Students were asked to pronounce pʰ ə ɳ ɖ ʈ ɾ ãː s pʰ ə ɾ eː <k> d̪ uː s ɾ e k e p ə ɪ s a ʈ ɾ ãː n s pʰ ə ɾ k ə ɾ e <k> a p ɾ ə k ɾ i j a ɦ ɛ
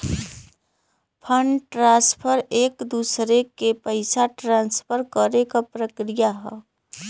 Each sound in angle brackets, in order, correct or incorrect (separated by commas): correct, correct